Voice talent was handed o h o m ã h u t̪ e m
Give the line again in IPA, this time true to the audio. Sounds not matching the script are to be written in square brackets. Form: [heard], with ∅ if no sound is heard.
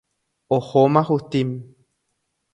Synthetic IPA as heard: o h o m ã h u t̪ [i] m